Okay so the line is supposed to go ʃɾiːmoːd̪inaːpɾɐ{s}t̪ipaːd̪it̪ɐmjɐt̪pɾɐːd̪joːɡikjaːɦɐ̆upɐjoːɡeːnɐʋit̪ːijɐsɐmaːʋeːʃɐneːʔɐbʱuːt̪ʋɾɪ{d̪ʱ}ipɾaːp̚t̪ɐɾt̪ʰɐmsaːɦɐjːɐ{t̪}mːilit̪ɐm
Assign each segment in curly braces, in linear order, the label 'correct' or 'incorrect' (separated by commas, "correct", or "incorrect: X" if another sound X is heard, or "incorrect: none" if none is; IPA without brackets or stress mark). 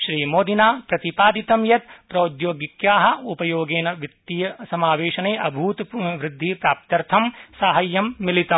incorrect: none, incorrect: d̪ʱː, incorrect: none